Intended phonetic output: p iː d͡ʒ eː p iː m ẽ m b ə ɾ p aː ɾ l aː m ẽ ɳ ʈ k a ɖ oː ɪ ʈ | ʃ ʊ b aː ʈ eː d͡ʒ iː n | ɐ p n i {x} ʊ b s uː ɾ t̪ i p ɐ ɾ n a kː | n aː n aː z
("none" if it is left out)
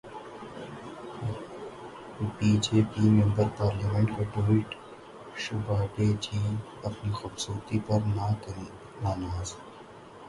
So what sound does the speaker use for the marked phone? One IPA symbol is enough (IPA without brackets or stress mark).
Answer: x